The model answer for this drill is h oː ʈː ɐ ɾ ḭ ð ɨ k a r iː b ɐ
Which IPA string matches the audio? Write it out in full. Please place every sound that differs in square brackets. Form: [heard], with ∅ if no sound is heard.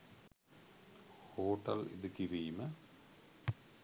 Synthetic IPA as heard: h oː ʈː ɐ [l] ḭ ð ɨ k [i] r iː [m] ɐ